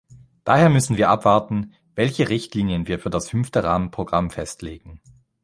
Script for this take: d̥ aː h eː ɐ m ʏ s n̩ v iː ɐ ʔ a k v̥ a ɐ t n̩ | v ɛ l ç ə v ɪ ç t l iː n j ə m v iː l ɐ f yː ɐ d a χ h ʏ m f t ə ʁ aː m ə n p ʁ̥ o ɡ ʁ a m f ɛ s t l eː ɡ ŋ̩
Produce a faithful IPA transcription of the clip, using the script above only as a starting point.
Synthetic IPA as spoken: d̥ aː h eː ɐ m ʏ s n̩ v iː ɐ ʔ a p v̥ a ɐ t n̩ | v ɛ l ç ə ʁ ɪ ç t l iː n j ə n v iː ɐ f yː ɐ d a s h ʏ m f t ə ʁ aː m ə n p ʁ̥ o ɡ ʁ a m f ɛ s t l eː ɡ ŋ̩